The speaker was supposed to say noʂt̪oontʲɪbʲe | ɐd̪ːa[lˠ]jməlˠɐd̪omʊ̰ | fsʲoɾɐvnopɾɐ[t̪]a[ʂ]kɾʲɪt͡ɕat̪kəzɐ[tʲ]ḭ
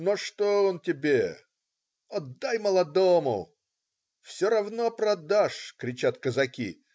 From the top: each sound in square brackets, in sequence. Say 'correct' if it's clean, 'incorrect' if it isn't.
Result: incorrect, incorrect, correct, incorrect

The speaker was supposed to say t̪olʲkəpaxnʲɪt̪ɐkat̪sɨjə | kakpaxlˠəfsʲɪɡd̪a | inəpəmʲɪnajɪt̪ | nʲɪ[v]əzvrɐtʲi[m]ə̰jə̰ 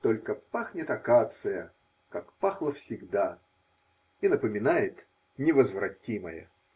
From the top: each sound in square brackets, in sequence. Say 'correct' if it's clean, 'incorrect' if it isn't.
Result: correct, correct

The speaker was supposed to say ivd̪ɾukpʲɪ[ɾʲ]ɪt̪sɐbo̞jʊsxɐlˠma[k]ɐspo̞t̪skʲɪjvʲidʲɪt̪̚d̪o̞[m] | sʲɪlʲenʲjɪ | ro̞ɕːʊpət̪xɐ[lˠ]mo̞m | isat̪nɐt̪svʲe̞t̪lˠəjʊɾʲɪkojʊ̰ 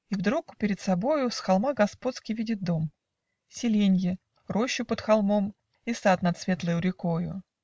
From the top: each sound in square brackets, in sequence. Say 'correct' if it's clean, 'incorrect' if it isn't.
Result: correct, incorrect, correct, correct

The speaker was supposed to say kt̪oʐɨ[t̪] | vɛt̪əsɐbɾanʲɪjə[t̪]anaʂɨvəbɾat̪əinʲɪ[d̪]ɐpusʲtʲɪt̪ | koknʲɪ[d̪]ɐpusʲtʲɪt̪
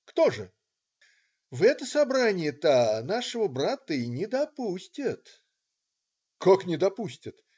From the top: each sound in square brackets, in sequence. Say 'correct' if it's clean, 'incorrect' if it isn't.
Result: incorrect, correct, correct, correct

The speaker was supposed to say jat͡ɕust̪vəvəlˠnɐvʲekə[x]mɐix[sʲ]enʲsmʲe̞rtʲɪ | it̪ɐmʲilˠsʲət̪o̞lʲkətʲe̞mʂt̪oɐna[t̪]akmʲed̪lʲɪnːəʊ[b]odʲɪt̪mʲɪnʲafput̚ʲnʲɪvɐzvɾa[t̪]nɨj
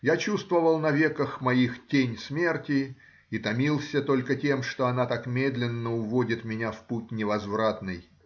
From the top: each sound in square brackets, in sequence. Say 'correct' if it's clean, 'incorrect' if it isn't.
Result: correct, incorrect, correct, incorrect, correct

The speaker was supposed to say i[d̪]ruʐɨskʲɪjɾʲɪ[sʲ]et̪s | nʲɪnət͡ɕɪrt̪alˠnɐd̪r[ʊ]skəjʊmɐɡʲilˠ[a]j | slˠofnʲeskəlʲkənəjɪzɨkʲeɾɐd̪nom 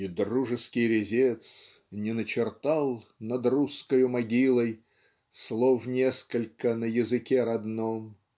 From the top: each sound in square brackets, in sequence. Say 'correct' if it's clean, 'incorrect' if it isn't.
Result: correct, incorrect, incorrect, incorrect

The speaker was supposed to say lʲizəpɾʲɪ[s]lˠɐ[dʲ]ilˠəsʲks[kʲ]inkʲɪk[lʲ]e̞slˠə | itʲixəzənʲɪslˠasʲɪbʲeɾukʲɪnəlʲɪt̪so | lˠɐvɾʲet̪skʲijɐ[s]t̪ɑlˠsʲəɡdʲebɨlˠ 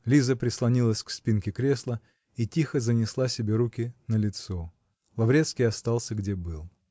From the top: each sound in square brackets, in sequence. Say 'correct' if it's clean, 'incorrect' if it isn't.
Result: correct, incorrect, incorrect, incorrect, correct

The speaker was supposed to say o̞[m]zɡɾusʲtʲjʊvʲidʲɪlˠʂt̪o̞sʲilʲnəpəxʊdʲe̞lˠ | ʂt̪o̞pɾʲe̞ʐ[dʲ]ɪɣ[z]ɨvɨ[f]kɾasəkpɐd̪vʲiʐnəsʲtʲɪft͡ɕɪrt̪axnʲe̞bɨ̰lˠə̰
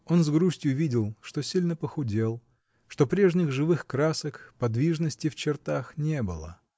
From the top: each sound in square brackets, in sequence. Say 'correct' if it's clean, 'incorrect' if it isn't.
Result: incorrect, incorrect, incorrect, incorrect

